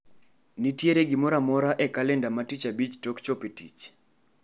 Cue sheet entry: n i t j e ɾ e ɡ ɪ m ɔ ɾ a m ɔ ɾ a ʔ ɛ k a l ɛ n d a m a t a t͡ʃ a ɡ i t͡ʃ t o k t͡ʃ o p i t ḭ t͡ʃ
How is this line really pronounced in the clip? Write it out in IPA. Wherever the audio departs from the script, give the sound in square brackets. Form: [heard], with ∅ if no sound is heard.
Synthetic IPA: n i t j e ɾ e ɡ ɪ m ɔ ɾ a m ɔ ɾ a ʔ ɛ k a l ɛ n d a m a t [i] t͡ʃ a [b] i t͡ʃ t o k t͡ʃ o p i t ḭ t͡ʃ